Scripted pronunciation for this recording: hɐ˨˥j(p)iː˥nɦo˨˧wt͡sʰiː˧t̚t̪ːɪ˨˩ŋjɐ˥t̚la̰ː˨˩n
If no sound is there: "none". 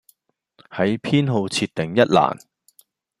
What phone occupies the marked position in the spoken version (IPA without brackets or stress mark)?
pʰ